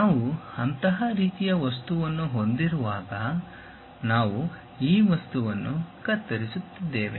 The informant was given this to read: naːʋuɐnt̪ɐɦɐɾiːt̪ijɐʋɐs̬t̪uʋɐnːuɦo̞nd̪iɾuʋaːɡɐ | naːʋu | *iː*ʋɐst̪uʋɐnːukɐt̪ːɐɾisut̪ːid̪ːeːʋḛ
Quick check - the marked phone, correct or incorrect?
correct